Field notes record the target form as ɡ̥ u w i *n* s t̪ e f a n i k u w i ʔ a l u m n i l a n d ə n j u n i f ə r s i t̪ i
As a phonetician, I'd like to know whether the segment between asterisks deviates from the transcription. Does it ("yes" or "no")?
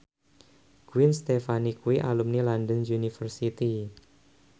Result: no